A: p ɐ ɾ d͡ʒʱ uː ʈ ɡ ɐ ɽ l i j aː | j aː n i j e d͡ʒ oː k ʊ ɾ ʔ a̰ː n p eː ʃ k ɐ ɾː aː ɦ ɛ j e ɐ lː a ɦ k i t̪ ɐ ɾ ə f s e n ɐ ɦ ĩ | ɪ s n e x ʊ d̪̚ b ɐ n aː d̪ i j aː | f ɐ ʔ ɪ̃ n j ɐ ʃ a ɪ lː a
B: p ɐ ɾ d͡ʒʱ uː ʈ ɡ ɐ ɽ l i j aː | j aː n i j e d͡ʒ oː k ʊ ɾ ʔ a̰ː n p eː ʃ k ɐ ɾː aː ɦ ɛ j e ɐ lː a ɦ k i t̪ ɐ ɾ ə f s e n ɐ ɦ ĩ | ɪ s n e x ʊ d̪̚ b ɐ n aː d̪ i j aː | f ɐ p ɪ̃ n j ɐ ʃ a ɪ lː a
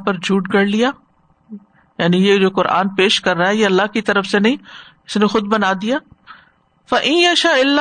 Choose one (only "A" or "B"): A